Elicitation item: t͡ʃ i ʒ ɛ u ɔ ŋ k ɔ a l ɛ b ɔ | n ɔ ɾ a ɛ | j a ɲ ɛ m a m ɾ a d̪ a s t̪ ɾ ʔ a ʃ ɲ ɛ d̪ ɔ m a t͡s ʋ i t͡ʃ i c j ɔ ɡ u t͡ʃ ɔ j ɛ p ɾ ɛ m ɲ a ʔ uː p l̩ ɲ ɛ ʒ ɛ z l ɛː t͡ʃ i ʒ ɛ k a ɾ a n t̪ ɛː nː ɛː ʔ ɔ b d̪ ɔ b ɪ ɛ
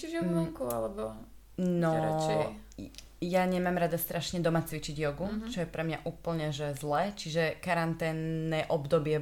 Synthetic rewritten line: t͡ʃ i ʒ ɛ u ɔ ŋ k u a l ɛ b ɔ | n ɔ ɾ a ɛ | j a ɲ ɛ m a m ɾ a d̪ a s t̪ ɾ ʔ a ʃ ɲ ɛ d̪ ɔ m a t͡s ʋ i t͡ʃ i ɟ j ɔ ɡ u t͡ʃ ɔ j ɛ p ɾ ɛ m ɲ a ʔ uː p l̩ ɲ ɛ ʒ ɛ z l ɛː t͡ʃ i ʒ ɛ k a ɾ a n t̪ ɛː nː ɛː ʔ ɔ b d̪ ɔ b ɪ ɛ